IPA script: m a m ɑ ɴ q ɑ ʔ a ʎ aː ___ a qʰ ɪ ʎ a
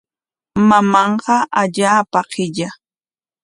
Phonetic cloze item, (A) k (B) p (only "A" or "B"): B